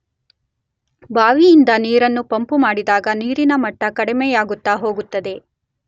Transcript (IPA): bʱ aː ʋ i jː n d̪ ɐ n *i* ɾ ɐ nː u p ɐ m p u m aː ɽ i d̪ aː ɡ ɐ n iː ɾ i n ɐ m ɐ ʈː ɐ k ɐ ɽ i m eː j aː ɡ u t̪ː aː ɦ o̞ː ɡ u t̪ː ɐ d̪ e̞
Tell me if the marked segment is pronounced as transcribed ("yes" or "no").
no